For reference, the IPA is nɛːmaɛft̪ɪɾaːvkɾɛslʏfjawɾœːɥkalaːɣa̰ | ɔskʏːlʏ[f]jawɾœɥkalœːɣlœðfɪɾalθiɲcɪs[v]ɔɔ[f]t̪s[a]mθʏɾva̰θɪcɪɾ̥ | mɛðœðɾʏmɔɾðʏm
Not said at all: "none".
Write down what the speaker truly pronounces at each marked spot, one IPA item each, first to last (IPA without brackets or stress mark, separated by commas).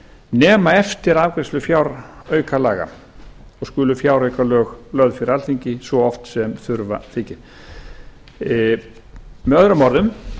f, v, f, ɛ